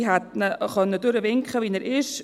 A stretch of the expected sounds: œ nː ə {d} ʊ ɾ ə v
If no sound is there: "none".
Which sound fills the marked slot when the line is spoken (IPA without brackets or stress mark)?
d